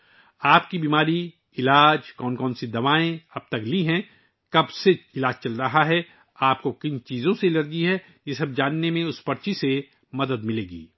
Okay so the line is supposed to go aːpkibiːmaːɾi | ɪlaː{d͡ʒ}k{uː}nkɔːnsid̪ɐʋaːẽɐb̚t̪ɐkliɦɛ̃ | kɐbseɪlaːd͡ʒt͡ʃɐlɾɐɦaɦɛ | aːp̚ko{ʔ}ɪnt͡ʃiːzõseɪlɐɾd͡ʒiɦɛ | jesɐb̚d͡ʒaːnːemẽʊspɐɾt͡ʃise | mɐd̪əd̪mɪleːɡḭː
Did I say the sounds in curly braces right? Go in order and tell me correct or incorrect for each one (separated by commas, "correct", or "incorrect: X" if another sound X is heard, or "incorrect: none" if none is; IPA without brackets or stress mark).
correct, incorrect: ɔː, incorrect: k